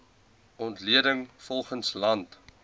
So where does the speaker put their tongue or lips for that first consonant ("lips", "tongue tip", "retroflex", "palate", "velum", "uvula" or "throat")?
tongue tip